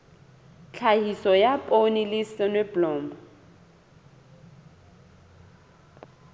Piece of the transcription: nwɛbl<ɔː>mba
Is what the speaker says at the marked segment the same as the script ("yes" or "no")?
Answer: yes